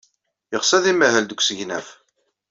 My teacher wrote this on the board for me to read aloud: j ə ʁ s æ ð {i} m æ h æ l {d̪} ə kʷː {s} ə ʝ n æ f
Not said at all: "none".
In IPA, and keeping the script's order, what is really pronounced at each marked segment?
i, d̪, s

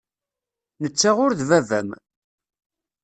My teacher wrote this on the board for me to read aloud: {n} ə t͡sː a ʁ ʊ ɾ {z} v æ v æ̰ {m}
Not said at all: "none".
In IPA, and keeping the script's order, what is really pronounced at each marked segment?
n, ð, m

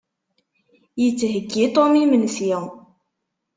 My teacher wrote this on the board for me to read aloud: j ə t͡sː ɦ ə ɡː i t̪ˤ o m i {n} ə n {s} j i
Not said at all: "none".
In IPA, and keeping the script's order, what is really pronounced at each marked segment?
m, s

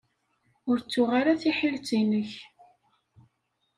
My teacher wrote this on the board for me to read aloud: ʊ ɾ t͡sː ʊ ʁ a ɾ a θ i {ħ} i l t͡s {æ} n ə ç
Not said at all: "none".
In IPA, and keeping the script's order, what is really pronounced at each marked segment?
ħ, i

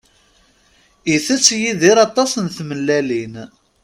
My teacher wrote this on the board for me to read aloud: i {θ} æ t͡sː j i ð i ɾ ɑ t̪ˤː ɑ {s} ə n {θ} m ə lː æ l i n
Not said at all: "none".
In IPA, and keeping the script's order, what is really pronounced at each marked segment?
θ, s, θ

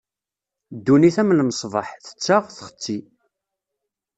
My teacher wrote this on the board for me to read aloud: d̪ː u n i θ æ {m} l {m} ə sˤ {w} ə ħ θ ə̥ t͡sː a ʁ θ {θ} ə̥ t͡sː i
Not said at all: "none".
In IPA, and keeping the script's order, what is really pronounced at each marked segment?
m, m, v, χ

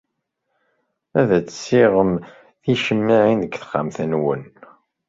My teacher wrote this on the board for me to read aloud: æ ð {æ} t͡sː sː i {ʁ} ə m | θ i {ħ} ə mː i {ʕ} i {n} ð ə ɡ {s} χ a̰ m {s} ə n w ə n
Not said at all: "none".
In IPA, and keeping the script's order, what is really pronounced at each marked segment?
æ, ʁ, ʃ, ʕ, n, θ, θ

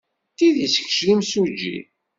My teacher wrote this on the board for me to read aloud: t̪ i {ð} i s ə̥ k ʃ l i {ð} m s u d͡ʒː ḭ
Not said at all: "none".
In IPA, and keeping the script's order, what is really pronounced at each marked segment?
ð, none

